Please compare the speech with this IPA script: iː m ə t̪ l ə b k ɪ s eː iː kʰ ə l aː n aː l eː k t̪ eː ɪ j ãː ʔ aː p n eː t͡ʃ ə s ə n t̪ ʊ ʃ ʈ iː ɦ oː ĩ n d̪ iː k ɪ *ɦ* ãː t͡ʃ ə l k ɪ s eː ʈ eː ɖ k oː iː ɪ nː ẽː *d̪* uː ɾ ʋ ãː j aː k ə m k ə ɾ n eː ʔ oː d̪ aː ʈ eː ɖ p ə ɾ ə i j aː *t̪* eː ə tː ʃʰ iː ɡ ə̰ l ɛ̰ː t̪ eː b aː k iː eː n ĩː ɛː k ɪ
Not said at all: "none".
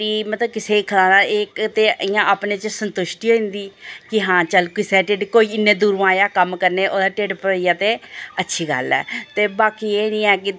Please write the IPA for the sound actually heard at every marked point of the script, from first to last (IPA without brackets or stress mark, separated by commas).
ɦ, d̪, t̪